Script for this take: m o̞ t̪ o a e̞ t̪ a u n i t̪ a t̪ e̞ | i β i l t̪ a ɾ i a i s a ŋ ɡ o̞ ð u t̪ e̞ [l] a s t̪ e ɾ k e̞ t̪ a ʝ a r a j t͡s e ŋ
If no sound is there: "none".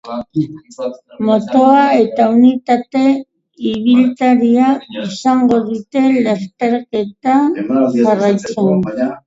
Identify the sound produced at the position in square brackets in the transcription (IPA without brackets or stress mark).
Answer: l